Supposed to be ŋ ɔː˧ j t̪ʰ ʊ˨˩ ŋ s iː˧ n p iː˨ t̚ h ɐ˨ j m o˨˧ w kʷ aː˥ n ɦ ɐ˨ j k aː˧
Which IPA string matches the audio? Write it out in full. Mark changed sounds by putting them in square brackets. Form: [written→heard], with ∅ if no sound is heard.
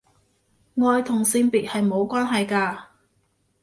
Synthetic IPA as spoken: ŋ ɔː˧ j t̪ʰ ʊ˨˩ ŋ s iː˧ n p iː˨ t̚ h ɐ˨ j m o˨˧ w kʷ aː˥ n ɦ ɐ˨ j k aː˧